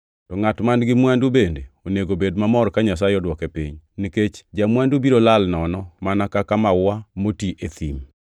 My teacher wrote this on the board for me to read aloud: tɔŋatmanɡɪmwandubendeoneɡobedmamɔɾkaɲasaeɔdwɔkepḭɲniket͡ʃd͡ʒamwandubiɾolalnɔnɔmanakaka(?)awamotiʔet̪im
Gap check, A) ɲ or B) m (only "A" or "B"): B